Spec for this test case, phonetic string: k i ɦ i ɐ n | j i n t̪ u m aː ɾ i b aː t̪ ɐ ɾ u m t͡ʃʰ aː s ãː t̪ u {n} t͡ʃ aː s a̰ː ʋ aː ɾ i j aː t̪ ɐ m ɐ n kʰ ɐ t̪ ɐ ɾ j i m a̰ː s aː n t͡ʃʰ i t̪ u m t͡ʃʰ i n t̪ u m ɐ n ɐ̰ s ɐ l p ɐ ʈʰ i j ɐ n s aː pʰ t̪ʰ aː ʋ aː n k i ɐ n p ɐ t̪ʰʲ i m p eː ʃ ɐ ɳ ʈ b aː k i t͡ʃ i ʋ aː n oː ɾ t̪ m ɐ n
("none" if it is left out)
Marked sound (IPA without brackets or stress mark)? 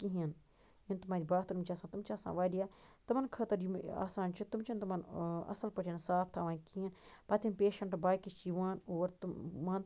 m